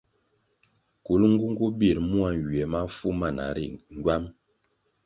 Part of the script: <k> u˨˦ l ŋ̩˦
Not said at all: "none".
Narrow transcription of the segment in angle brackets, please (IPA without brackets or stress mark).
k